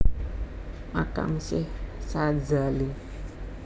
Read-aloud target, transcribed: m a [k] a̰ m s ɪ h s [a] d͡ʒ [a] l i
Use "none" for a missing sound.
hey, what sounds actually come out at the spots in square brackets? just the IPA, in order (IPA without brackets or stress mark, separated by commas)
k, a, a